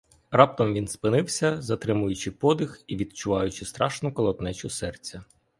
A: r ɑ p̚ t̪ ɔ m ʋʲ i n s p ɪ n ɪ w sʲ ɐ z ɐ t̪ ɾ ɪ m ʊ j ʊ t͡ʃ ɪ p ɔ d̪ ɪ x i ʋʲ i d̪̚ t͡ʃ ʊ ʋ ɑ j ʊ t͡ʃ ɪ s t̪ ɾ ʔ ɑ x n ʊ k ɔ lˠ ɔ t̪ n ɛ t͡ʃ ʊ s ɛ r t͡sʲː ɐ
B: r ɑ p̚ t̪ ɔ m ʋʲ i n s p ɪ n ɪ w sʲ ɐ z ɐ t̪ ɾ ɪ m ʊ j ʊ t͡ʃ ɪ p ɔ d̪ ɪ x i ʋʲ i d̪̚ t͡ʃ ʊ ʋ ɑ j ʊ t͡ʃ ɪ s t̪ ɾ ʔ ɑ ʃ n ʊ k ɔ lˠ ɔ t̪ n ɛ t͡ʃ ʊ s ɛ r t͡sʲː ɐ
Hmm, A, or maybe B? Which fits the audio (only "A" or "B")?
B